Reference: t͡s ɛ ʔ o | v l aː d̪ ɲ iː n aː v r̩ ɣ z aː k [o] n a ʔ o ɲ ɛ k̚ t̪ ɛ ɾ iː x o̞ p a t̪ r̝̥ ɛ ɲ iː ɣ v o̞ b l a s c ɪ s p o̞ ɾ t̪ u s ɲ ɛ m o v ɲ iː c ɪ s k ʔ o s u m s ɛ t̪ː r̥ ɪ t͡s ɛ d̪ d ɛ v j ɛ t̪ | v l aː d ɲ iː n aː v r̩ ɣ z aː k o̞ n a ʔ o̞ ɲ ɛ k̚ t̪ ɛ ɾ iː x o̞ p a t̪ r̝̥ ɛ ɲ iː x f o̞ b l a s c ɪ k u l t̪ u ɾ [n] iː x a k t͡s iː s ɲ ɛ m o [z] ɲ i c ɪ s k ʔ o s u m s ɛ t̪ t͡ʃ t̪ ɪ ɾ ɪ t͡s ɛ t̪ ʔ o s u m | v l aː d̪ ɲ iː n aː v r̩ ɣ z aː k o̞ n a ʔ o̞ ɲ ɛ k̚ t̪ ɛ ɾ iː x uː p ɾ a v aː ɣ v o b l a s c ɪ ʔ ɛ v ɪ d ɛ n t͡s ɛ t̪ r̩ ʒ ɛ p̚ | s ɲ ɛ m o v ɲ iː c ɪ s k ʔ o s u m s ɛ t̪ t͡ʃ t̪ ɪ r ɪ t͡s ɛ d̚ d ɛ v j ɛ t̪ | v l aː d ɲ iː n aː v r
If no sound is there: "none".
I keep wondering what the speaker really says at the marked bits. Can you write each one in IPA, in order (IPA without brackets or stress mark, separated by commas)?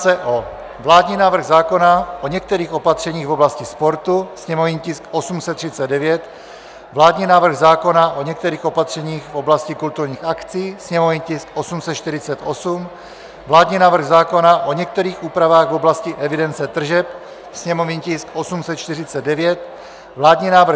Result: o, ɲ, v